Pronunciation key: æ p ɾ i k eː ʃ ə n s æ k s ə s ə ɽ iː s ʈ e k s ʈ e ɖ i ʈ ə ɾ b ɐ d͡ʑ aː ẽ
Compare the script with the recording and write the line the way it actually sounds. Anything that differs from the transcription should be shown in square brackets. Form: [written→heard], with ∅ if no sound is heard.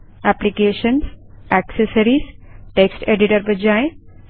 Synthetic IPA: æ p [ɾ→l] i k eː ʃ ə n s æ k s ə s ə [ɽ→ɾ] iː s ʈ e k s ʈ e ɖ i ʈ ə ɾ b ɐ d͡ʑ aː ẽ